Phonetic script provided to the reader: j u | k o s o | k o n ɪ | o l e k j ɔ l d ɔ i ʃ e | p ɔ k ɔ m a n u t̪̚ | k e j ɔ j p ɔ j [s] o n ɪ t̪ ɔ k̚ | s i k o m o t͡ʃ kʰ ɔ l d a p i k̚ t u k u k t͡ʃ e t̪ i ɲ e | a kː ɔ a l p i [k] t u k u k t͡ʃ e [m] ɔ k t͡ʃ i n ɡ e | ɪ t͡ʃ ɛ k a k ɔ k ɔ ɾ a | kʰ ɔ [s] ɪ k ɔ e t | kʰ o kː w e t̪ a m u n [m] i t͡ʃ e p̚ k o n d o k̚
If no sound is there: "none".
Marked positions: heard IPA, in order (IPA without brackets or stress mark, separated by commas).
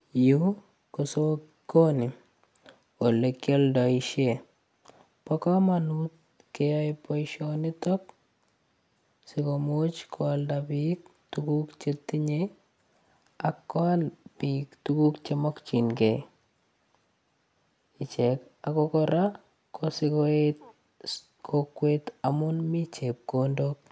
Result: ʃ, k, m, s, m